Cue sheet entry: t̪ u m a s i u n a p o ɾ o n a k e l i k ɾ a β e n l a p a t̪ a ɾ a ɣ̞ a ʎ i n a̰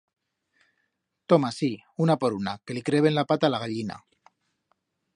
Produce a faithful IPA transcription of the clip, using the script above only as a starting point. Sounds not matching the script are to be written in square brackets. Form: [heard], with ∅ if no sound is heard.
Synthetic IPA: t̪ [o] m a s i u n a p o ɾ [u] n a k e l i k ɾ [e] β e n l a p a t̪ a [l] a ɣ̞ a ʎ i n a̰